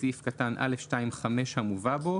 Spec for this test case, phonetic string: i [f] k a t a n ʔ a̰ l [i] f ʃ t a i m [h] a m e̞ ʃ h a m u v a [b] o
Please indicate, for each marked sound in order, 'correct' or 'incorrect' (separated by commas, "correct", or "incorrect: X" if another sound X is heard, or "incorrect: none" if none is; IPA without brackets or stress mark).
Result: correct, incorrect: e, incorrect: χ, correct